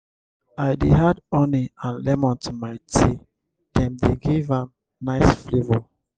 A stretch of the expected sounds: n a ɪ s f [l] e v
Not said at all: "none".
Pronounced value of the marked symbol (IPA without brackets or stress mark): l